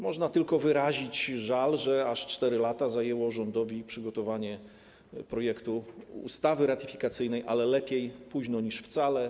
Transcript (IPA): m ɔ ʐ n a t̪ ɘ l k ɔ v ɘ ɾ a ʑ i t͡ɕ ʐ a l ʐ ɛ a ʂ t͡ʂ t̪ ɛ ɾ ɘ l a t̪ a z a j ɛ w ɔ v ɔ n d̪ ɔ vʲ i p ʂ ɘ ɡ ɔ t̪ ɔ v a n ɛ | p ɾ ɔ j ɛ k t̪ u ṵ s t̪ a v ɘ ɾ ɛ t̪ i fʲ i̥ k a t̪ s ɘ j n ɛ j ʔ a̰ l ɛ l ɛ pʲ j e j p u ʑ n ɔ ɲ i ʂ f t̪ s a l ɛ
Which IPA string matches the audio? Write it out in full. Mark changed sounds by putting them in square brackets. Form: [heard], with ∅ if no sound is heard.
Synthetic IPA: m ɔ ʐ n a t̪ ɘ l k ɔ v ɘ ɾ a ʑ i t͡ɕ ʐ a l ʐ ɛ a ʂ t͡ʂ t̪ ɛ ɾ ɘ l a t̪ a z a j ɛ w ɔ [ʐ] ɔ n d̪ ɔ vʲ i p ʂ ɘ ɡ ɔ t̪ ɔ v a [ɲ] ɛ | p ɾ ɔ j ɛ k t̪ u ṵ s t̪ a v ɘ ɾ [a] t̪ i fʲ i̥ k a t̪ s ɘ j n ɛ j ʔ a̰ l ɛ l ɛ pʲ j e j p u ʑ n ɔ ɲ i ʂ f t̪ s a l ɛ